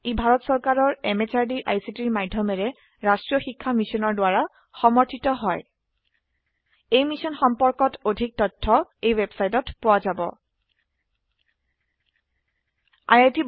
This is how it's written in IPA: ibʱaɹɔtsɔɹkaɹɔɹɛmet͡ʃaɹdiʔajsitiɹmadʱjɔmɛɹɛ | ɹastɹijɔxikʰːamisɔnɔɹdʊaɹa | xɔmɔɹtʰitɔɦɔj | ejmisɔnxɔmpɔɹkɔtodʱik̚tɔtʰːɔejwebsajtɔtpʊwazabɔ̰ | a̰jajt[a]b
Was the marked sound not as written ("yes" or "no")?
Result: yes